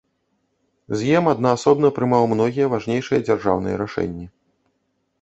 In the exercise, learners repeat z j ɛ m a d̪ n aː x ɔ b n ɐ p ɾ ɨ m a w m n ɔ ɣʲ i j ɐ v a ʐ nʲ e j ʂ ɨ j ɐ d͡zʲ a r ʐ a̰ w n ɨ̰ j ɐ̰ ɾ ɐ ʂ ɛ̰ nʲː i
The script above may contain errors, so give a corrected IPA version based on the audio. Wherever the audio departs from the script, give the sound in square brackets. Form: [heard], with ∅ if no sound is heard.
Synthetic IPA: z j ɛ m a d̪ n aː [s] ɔ b n ɐ p ɾ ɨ m a w m n ɔ ɣʲ i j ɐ v a ʐ nʲ e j ʂ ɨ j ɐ d͡zʲ a r ʐ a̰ w n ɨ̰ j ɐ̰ ɾ [a] ʂ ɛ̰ nʲː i